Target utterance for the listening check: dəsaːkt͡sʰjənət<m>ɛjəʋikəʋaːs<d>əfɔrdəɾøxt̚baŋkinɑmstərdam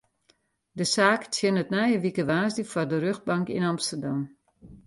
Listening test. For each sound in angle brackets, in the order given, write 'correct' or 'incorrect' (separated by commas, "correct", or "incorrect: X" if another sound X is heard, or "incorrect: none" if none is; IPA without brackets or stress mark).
incorrect: n, correct